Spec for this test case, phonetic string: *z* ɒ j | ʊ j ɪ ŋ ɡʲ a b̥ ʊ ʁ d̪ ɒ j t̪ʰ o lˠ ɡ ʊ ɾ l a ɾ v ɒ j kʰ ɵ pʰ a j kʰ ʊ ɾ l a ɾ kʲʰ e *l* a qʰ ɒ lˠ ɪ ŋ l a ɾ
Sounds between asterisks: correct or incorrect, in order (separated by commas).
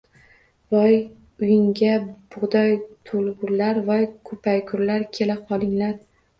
incorrect, correct